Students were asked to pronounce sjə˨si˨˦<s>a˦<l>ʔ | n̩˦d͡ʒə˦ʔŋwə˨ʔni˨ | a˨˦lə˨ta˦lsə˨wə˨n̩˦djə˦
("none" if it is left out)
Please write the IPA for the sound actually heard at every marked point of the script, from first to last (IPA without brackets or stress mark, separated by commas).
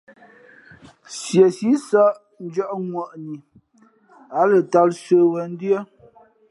s, none